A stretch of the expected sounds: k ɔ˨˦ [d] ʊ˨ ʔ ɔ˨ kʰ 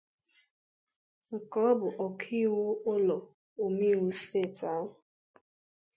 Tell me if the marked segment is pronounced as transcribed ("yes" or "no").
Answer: no